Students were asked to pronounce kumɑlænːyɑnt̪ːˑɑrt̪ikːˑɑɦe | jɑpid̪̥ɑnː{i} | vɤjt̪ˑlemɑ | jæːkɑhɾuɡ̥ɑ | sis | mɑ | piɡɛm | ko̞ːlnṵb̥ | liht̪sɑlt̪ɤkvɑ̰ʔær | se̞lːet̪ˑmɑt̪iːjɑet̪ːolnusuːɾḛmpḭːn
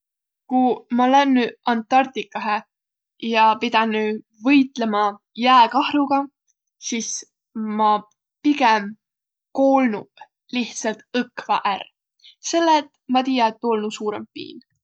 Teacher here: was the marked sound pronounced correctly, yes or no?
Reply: no